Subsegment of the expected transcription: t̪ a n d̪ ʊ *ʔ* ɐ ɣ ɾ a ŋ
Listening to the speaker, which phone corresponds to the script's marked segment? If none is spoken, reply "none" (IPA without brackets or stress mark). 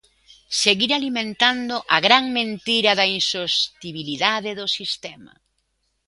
ʔ